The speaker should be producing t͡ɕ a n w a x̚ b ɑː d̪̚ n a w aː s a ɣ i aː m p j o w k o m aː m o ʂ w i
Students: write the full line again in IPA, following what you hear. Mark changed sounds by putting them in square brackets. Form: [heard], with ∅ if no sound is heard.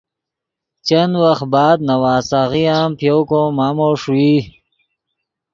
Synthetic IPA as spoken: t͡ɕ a n w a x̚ b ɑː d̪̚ n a w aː s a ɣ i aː m p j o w k o m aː m o ʂ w i